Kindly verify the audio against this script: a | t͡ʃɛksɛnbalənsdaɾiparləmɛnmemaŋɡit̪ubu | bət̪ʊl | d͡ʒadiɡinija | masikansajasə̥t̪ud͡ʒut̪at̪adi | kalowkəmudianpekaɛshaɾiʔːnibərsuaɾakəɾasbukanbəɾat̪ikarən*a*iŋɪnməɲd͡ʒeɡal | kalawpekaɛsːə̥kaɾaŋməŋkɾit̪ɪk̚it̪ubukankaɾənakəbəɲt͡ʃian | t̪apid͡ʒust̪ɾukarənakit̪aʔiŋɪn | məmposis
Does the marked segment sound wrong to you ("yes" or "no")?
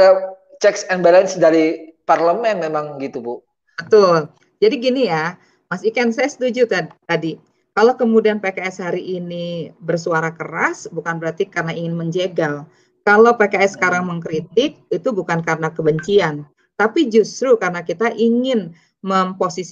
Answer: no